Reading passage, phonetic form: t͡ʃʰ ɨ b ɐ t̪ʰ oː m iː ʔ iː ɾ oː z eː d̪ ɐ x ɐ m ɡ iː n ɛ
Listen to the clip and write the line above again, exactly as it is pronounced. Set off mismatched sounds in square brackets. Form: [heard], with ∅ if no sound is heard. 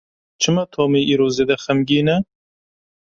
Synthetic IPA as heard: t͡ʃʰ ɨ [m] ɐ t̪ʰ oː m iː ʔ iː ɾ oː z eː d̪ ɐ x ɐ m ɡ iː n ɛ